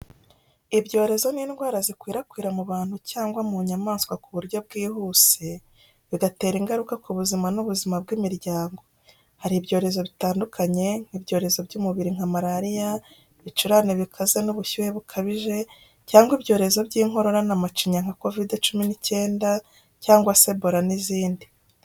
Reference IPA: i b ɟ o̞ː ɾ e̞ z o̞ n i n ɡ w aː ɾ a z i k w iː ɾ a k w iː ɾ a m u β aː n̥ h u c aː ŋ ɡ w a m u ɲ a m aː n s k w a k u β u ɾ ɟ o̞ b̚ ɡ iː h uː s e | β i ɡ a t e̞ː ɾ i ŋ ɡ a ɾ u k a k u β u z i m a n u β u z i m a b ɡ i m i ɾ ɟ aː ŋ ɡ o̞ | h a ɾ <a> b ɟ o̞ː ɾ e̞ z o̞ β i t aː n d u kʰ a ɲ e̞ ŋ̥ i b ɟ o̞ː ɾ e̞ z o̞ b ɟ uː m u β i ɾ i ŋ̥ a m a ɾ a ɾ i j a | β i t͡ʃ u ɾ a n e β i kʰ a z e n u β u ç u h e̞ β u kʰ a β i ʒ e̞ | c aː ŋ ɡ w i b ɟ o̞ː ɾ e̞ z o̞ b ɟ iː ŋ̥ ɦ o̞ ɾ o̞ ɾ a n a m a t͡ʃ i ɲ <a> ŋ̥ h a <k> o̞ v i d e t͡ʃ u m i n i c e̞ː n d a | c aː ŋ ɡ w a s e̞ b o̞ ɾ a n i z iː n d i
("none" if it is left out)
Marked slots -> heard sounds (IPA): i, a, k

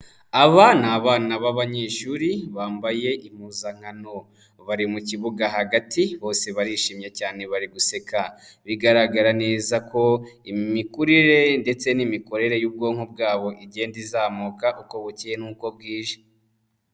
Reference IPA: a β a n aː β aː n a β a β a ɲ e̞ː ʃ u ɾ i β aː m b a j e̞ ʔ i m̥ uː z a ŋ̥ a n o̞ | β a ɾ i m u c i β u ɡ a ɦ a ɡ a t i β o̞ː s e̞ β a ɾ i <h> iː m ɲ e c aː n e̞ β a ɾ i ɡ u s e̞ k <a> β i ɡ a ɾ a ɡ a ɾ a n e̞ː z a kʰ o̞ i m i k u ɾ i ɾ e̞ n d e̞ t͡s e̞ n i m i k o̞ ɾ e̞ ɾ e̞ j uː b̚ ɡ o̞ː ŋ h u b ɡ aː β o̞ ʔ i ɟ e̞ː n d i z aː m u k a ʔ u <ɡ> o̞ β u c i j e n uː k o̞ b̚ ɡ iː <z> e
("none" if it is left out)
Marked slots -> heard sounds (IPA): ʃ, a, k, ʒ

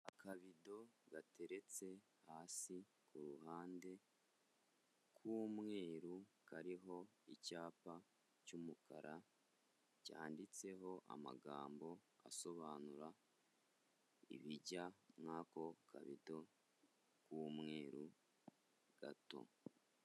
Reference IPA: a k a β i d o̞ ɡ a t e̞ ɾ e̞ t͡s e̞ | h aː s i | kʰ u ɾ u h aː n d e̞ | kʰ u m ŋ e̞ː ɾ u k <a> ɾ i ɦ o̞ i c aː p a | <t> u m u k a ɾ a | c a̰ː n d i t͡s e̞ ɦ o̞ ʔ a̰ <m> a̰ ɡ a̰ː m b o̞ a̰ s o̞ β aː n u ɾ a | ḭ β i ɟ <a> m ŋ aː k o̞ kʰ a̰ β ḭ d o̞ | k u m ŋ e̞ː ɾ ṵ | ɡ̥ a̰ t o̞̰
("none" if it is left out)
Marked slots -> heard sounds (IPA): a, c, m, a

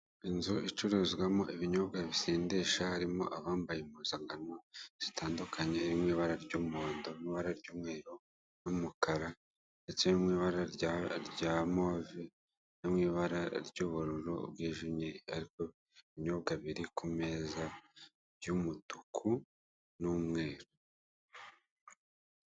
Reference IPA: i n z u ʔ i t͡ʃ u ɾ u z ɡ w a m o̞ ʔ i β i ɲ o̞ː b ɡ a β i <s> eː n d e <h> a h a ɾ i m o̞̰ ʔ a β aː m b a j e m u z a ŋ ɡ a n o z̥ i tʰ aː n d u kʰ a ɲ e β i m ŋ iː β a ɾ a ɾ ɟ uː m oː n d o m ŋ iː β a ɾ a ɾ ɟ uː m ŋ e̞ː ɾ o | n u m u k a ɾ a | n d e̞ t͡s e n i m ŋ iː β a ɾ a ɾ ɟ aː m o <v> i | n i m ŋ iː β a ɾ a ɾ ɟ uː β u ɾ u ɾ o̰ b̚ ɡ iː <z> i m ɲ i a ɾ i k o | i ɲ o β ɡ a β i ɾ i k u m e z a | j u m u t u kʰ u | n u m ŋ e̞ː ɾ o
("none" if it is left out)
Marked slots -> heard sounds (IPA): s, ʃ, v, ʒ

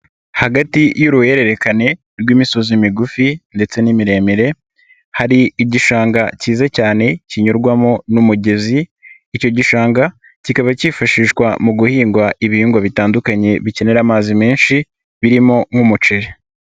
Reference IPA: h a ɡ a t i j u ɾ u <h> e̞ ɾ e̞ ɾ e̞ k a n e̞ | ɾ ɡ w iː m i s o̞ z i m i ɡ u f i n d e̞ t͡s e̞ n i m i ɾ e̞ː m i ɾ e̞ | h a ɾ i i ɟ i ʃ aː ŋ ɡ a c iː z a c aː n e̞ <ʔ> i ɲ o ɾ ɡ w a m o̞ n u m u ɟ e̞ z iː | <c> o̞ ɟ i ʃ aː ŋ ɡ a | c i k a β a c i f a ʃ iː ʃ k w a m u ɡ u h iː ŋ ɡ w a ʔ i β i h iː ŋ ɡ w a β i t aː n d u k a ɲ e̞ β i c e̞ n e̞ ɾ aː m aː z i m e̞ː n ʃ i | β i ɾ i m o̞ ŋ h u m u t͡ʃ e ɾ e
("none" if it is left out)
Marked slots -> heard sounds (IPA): h, c, c

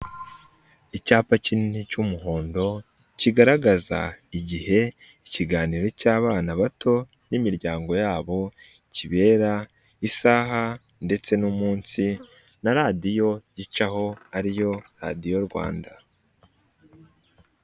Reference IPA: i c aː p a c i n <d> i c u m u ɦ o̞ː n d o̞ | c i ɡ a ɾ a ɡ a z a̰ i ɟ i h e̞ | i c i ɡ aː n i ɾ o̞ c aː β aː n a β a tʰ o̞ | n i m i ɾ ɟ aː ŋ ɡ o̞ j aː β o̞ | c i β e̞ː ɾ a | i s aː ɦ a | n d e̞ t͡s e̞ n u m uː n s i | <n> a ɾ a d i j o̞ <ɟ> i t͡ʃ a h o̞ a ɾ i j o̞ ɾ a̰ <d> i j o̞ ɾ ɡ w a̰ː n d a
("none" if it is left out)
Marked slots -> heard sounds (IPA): n, n, ɟ, d

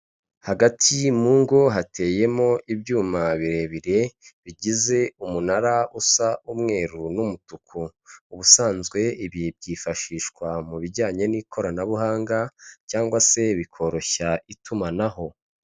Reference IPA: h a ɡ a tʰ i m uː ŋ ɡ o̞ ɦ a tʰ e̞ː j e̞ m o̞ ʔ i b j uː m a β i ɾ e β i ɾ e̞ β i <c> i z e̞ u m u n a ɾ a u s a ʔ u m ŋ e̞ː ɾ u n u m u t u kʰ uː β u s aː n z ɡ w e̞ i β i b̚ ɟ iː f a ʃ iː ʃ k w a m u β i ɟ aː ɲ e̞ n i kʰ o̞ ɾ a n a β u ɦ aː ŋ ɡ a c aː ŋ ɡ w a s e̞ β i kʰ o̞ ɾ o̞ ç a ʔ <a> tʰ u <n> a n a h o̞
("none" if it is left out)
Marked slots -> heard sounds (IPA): ɟ, i, m

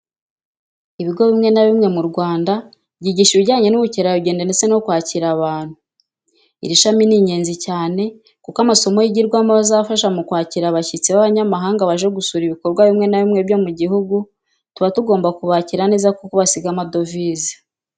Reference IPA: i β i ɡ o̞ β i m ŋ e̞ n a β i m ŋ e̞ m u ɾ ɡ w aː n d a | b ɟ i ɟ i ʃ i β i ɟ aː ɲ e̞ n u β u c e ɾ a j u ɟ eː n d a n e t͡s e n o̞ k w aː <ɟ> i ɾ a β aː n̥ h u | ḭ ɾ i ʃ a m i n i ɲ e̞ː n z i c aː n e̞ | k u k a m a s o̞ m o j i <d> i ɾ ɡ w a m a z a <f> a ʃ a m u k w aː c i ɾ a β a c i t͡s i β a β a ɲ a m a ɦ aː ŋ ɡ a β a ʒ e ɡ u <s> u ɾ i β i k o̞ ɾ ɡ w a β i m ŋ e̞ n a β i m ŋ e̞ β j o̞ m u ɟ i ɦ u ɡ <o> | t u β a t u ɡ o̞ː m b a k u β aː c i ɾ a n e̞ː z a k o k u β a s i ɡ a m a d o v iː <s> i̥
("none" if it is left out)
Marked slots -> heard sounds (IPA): c, ɟ, f, s, u, z

